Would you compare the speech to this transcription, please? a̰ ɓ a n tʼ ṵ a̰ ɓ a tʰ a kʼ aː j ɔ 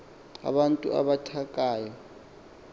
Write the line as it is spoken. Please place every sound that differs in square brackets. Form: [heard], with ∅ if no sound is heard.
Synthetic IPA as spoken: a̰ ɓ a n tʼ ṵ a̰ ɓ a tʰ a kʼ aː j ɔ